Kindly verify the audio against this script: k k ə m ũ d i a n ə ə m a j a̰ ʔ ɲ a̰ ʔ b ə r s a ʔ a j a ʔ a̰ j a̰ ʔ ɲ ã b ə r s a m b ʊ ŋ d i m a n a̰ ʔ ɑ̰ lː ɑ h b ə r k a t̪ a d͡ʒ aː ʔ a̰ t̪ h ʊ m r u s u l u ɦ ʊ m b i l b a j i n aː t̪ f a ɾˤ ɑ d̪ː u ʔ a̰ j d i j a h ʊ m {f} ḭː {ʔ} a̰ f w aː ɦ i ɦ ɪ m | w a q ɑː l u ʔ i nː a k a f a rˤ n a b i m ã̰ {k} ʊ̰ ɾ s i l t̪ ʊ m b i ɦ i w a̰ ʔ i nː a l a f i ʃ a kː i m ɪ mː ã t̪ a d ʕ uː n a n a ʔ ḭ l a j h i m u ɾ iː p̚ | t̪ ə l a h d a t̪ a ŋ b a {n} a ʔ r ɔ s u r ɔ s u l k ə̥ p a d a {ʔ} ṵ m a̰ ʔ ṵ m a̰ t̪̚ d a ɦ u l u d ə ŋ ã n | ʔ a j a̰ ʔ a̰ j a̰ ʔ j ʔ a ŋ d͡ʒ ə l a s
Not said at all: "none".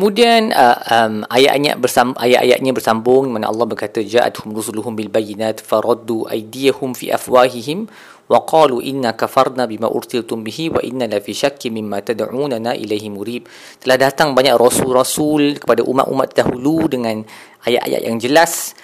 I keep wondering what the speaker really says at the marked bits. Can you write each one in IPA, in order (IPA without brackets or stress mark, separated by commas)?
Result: f, ʔ, ʔ, ɲ, ʔ